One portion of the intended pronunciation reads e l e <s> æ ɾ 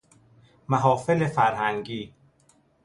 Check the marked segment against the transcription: incorrect: f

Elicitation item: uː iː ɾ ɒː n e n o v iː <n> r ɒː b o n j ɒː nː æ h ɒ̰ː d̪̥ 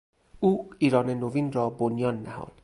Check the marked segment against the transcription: correct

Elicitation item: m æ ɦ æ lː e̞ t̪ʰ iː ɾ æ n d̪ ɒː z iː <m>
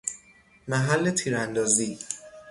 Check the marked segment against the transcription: incorrect: none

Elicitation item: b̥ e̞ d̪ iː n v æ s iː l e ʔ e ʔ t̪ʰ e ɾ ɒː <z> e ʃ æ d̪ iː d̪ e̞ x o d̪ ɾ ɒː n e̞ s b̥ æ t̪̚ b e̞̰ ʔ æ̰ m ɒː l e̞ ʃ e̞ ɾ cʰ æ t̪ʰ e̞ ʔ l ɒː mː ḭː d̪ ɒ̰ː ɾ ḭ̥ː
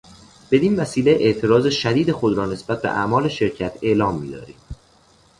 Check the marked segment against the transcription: correct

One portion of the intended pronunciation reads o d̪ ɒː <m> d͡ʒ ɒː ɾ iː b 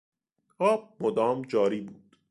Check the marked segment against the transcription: correct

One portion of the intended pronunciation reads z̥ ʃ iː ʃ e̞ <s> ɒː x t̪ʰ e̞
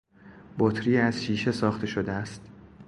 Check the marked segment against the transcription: correct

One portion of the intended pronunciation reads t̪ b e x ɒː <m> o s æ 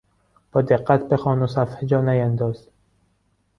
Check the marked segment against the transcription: incorrect: n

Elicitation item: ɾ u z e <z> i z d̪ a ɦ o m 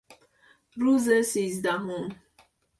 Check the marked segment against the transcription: incorrect: s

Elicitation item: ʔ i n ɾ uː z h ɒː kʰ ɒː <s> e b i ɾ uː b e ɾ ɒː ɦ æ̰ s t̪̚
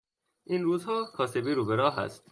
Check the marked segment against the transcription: correct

